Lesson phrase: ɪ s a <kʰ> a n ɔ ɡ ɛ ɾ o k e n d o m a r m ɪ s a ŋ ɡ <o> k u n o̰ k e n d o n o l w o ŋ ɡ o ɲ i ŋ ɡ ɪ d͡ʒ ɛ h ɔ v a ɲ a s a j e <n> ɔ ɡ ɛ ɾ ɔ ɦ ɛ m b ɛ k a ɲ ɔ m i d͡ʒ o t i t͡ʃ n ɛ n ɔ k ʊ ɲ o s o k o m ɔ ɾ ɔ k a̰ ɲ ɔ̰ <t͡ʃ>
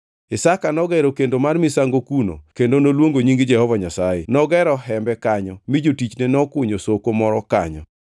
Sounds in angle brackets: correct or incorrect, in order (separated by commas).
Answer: incorrect, correct, correct, incorrect